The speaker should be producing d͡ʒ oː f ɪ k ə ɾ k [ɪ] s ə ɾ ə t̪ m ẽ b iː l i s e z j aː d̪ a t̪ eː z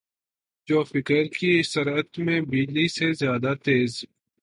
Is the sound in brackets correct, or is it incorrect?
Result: incorrect